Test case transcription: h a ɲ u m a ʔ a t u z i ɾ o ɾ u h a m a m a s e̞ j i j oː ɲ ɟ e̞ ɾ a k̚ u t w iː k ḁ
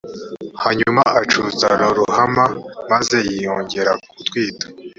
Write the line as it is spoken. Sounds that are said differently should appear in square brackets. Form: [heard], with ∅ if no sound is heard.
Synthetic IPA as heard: h a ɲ u m a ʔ a [t͡ʃ] u z [a] ɾ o ɾ u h a m a m a [z] e̞ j i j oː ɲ ɟ e̞ ɾ a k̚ u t w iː [t] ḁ